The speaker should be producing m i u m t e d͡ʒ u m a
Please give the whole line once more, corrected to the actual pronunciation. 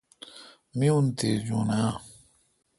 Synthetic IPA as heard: m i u n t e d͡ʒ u n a